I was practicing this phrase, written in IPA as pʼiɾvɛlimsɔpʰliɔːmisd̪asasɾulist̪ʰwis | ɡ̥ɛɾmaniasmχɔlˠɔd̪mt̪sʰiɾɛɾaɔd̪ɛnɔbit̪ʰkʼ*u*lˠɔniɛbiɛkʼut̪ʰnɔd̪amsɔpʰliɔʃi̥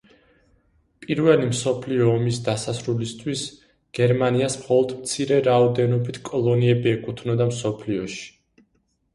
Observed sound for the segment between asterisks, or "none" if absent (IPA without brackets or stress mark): ɔ